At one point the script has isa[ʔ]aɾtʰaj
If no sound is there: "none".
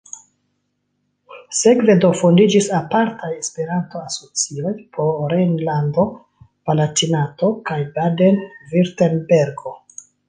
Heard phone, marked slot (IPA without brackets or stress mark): p